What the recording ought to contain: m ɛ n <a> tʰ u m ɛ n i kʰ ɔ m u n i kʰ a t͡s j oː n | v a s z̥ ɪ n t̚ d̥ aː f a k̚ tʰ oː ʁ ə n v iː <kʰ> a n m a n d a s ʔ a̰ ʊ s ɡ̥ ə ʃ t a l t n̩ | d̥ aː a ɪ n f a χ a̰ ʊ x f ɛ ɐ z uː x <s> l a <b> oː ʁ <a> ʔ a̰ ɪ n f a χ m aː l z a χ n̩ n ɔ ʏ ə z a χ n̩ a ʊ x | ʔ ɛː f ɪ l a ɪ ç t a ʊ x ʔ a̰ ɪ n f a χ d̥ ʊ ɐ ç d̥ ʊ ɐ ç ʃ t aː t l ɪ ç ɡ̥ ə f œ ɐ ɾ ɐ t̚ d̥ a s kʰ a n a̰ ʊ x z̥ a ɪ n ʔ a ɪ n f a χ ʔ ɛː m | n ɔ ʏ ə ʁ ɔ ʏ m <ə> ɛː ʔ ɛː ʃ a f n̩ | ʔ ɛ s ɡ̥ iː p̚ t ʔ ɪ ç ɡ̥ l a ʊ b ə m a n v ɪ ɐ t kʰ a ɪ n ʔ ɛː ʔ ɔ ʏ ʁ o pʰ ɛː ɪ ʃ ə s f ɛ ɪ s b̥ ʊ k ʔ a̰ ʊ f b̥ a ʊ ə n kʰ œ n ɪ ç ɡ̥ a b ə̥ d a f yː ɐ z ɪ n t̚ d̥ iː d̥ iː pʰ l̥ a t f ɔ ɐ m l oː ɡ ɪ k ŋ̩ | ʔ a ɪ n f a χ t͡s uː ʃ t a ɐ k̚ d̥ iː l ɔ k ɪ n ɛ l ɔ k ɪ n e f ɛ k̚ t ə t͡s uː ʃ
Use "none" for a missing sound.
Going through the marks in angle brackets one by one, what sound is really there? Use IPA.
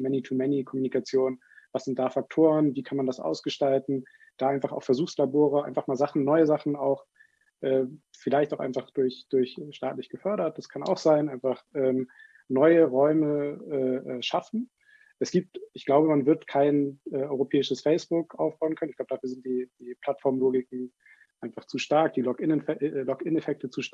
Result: i, kʰ, s, b, ə, ə

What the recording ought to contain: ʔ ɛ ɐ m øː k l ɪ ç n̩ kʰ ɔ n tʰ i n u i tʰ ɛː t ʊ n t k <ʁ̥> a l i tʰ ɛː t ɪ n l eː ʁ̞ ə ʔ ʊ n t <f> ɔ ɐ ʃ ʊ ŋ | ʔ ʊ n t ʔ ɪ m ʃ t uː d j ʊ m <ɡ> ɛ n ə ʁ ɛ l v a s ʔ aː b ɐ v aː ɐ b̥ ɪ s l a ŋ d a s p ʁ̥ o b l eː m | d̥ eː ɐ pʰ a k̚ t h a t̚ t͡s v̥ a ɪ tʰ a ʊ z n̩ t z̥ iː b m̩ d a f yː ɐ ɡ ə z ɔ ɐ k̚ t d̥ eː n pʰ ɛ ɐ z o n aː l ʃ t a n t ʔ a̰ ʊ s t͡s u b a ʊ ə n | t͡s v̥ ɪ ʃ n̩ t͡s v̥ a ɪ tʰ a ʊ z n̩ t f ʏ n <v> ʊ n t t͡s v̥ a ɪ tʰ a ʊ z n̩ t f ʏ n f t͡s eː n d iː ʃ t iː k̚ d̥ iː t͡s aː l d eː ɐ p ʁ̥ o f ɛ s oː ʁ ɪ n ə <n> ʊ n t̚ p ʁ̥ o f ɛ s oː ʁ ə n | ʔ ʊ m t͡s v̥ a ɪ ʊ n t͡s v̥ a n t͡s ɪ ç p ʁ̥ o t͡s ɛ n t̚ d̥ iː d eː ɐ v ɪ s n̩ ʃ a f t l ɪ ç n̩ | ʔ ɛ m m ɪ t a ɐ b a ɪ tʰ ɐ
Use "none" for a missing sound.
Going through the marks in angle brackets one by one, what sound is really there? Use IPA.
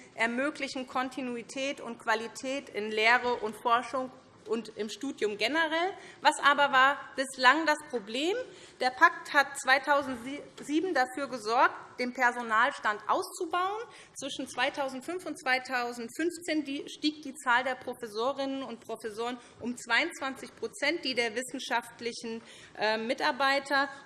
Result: v̥, f, ɡ, f, n

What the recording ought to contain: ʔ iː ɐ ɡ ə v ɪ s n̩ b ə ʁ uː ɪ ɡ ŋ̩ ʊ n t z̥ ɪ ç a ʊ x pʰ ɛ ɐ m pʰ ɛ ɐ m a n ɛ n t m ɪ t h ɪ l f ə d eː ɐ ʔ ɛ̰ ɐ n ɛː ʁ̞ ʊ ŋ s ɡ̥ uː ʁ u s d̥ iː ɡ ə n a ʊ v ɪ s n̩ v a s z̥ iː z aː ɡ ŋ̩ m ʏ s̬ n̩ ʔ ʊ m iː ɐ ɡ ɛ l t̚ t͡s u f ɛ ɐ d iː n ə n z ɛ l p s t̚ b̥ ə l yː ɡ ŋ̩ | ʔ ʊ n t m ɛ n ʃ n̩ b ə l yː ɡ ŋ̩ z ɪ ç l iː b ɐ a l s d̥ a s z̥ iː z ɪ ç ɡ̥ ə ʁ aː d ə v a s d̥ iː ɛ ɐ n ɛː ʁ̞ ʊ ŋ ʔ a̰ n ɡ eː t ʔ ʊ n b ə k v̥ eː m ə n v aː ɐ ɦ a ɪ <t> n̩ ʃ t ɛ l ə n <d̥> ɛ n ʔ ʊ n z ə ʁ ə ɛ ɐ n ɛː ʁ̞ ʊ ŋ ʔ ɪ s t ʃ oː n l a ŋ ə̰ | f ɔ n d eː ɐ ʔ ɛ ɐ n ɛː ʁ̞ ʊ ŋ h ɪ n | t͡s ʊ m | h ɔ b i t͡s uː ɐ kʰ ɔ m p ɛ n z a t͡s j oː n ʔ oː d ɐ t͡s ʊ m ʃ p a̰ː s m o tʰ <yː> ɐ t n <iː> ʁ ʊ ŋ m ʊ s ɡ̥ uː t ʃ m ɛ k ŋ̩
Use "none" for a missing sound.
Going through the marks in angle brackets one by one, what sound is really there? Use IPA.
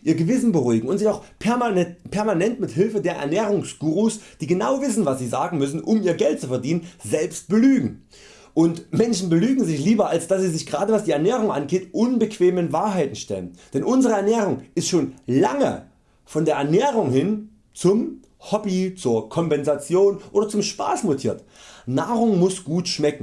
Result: t, d̥, iː, aː

